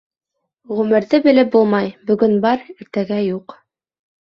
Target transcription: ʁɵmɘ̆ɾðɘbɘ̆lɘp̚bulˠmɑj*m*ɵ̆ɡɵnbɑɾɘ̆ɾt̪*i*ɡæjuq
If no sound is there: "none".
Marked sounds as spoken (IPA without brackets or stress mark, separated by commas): b, æ